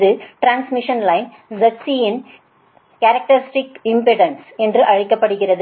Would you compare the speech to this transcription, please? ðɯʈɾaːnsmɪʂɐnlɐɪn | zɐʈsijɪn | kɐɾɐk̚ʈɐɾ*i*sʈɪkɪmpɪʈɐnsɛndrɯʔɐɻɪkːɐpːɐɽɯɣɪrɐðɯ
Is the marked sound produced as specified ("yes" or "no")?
no